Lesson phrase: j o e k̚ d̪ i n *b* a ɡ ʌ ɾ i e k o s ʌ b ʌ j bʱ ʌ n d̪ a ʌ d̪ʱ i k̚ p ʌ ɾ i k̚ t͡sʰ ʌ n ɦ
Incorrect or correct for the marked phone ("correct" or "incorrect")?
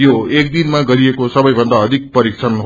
incorrect